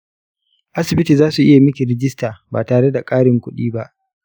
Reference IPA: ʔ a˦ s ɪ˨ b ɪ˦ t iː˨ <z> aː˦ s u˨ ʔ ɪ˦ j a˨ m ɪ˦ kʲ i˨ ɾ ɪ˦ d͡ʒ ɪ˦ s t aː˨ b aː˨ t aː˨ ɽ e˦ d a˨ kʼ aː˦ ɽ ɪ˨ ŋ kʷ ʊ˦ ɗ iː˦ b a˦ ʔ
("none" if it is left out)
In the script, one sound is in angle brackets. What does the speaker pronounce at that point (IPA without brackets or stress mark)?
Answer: z